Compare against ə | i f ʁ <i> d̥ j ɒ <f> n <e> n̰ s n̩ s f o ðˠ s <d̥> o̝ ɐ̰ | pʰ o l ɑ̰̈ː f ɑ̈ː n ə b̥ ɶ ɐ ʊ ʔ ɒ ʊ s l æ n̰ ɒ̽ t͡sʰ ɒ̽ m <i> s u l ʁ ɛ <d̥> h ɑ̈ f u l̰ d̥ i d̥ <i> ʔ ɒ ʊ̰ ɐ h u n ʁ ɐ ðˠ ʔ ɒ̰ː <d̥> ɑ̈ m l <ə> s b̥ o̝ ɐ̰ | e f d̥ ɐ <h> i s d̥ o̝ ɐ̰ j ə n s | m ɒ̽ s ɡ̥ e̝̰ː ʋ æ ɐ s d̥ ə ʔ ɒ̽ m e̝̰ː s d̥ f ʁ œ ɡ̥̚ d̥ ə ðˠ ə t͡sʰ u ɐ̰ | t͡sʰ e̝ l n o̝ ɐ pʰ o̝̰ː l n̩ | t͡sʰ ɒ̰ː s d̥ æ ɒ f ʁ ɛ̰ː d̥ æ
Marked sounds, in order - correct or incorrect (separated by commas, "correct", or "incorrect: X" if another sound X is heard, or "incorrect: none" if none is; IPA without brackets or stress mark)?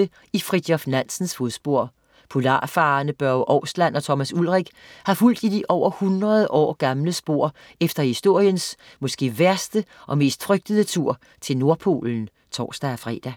correct, correct, incorrect: æ, incorrect: b̥, incorrect: æ, incorrect: ɡ̥, correct, incorrect: ɡ̥, correct, correct